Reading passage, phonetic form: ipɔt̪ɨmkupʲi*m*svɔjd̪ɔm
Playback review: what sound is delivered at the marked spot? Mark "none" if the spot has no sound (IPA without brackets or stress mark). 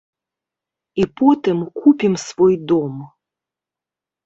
m